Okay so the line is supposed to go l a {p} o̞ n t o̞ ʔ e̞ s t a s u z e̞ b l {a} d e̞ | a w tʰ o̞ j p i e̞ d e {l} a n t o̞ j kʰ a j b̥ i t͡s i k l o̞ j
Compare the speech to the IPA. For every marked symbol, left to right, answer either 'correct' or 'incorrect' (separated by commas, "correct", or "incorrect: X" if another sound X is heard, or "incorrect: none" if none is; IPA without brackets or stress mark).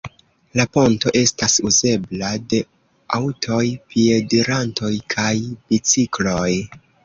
correct, correct, incorrect: ɾ